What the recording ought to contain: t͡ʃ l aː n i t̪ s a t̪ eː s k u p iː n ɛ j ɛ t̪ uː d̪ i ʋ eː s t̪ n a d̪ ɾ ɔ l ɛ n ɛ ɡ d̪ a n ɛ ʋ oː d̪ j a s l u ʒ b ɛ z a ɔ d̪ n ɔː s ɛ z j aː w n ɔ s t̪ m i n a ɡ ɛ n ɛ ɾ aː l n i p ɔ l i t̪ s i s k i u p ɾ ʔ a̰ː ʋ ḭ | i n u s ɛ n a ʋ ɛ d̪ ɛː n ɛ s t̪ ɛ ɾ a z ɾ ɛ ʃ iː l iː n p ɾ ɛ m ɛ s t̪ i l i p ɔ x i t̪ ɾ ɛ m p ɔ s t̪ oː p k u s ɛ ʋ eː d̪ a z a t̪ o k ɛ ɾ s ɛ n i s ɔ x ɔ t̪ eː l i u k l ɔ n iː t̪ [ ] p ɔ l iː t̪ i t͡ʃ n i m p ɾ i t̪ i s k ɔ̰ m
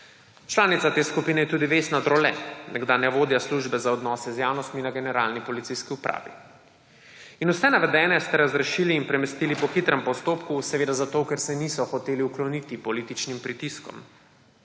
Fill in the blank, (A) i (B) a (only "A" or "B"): A